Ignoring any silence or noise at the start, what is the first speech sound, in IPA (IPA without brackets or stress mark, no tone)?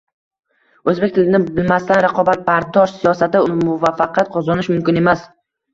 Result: ɵ